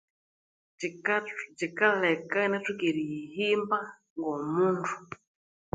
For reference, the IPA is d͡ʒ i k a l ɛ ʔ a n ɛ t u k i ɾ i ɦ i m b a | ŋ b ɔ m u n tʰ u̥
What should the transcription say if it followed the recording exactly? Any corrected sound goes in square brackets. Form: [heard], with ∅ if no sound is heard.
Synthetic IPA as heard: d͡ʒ i k a l ɛ [k] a n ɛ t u k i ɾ i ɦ i m b a | ŋ [ɡ] ɔ m u n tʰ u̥